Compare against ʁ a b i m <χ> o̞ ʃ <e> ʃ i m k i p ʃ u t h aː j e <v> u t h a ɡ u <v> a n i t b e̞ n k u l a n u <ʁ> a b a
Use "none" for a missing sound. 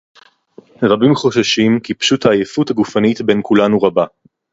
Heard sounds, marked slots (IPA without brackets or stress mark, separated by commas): χ, a, f, f, ʁ